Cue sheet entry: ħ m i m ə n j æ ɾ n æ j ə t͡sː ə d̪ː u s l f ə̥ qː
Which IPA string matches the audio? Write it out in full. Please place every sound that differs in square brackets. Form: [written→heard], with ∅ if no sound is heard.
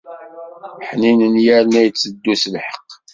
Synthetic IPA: ħ [m→n] i [m→n] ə n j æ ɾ n æ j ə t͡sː ə d̪ː u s l [f→ħ] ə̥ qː